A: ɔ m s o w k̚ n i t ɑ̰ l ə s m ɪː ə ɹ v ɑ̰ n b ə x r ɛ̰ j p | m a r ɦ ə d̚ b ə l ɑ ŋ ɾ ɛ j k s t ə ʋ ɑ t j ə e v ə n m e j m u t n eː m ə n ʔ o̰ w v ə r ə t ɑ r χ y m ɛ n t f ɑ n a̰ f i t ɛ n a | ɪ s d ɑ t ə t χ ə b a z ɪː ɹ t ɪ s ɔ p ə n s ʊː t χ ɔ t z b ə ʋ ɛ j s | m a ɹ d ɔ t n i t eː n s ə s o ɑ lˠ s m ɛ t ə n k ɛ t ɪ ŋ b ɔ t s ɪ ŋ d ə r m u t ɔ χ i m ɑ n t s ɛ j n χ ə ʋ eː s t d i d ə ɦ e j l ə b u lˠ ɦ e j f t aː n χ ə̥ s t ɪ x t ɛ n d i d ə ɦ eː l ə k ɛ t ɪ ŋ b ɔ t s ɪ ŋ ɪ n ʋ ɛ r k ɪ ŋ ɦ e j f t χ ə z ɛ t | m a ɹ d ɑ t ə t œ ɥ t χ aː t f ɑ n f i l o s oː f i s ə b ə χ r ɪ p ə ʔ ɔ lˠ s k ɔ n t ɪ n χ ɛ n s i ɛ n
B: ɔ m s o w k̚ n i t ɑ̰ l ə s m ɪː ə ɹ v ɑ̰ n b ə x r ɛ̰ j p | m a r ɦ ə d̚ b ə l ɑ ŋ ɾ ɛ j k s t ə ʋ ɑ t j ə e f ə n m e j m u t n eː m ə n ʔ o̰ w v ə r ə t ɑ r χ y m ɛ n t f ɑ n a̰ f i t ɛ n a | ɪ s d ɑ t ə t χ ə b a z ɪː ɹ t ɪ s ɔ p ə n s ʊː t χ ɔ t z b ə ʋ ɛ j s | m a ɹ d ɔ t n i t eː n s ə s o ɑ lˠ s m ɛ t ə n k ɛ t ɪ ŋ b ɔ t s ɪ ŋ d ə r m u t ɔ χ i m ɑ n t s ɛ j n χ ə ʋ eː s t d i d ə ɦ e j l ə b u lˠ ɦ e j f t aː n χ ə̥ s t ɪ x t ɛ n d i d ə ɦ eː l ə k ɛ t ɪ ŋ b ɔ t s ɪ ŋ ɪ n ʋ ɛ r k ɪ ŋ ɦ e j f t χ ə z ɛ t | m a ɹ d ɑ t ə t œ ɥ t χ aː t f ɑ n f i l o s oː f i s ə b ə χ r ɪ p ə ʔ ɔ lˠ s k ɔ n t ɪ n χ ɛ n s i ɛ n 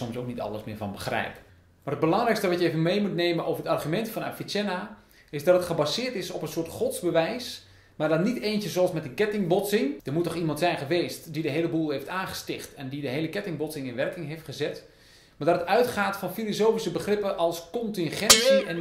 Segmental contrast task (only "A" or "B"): A